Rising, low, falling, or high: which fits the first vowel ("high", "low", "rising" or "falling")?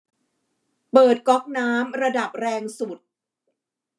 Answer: low